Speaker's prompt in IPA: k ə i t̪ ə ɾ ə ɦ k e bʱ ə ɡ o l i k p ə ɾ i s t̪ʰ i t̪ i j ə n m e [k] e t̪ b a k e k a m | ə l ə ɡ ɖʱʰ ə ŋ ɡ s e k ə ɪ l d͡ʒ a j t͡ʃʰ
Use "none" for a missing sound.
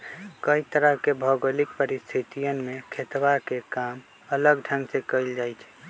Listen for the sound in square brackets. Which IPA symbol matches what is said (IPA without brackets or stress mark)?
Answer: kʰ